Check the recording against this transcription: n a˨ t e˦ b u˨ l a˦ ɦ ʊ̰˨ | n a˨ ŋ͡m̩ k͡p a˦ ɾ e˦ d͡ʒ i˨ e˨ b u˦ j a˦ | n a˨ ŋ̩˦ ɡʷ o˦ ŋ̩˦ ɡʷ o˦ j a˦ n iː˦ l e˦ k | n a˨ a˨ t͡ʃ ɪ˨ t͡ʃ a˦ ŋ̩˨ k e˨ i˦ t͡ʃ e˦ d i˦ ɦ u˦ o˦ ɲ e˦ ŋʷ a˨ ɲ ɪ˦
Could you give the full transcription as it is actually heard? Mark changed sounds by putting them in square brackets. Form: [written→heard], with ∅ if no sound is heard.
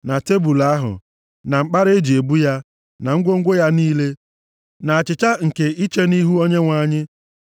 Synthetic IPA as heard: n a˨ t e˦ b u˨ l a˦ ɦ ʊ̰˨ | n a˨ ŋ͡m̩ k͡p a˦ ɾ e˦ d͡ʒ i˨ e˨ b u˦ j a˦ | n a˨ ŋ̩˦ ɡʷ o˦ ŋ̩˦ ɡʷ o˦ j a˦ n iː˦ l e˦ [k→∅] | n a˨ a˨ t͡ʃ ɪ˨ t͡ʃ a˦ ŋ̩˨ k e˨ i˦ t͡ʃ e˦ [d→n] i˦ ɦ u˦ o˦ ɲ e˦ ŋʷ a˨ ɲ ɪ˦